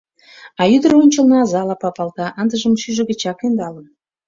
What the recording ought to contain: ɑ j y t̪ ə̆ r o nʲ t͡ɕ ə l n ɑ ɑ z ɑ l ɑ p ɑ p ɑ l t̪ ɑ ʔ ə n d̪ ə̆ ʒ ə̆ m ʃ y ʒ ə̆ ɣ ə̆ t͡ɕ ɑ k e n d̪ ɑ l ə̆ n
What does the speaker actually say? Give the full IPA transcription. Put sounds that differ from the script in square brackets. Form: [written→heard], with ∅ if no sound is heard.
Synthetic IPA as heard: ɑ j y [t̪→d̪] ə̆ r o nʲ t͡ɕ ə l n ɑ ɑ z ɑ l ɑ p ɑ p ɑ l t̪ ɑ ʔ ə n d̪ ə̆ ʒ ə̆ m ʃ y ʒ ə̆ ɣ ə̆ t͡ɕ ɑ k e n d̪ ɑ l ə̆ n